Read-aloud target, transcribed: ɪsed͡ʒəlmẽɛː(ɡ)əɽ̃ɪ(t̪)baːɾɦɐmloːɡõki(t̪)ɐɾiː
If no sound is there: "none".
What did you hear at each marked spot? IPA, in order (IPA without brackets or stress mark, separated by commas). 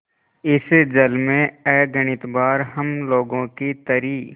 ɡ, t̪, t̪